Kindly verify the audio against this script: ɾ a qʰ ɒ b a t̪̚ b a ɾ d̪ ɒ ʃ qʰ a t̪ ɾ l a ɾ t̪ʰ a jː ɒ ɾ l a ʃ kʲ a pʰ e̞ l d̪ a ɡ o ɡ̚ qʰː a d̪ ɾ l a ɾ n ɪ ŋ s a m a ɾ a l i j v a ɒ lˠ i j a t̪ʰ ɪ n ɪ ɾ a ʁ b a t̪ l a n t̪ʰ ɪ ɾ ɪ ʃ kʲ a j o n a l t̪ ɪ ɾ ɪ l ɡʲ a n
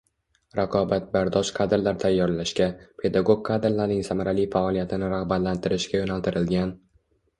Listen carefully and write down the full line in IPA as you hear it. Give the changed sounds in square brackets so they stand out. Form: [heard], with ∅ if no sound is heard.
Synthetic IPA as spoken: ɾ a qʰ ɒ b a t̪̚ b a ɾ d̪ ɒ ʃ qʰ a [d̪] ɾ l a ɾ t̪ʰ a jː ɒ ɾ l a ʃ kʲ a pʰ e̞ [∅] d̪ a ɡ o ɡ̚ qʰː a d̪ ɾ l a ɾ n ɪ ŋ s a m a ɾ a l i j [f] a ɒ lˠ i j a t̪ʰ ɪ n ɪ ɾ a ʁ b a t̪ l a n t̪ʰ ɪ ɾ ɪ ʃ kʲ a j o n a l t̪ ɪ ɾ ɪ l ɡʲ a n